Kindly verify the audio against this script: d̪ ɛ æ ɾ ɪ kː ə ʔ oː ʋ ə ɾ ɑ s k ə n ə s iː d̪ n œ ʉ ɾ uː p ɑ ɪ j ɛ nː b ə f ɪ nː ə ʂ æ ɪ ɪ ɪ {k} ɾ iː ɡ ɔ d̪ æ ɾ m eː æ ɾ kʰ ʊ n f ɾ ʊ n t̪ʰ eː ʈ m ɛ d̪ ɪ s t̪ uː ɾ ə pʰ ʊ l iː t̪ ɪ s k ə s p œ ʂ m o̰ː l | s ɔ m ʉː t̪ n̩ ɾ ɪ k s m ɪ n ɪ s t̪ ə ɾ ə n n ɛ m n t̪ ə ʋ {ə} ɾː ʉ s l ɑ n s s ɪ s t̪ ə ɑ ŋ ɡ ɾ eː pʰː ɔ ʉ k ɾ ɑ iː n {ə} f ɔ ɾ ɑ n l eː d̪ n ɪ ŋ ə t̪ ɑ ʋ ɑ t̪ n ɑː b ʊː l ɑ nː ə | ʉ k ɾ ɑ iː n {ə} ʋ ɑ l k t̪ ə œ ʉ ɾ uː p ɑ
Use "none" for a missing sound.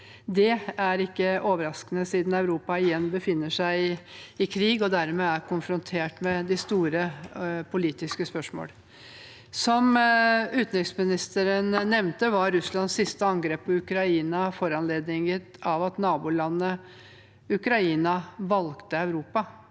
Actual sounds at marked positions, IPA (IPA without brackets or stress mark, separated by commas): kʰ, ɑ, ɑ, ɑ